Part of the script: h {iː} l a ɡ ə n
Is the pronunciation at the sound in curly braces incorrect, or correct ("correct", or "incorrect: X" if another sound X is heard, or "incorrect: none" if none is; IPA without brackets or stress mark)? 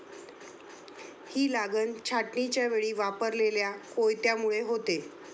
correct